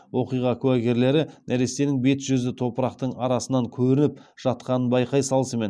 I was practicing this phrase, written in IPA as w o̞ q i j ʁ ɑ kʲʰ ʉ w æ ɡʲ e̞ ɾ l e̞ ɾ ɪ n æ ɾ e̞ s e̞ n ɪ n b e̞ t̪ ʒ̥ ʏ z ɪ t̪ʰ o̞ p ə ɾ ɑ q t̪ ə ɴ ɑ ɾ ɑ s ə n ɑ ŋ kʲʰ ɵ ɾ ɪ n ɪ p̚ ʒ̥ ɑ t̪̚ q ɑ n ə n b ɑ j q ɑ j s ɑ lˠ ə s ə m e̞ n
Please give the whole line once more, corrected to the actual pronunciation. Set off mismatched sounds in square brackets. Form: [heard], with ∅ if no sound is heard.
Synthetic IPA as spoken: w o̞ q i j ʁ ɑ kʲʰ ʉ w æ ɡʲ e̞ ɾ l e̞ ɾ ɪ n æ ɾ e̞ s e̞ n ɪ [ŋ] b e̞ t̪ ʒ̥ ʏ z ɪ t̪ʰ o̞ p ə ɾ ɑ q t̪ ə ɴ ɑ ɾ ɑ s ə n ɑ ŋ kʲʰ ɵ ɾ ɪ n ɪ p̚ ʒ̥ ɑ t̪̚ q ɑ n ə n b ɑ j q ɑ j s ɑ lˠ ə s ə m e̞ n